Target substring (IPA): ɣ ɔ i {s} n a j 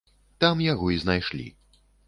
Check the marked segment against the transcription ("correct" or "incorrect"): incorrect